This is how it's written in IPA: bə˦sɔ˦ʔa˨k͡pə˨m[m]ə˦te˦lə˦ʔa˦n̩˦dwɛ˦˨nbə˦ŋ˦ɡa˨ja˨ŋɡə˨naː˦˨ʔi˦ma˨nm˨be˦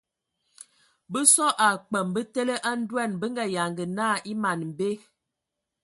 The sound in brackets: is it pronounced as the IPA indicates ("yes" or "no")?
no